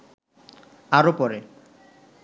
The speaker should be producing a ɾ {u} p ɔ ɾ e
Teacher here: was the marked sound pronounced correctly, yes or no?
no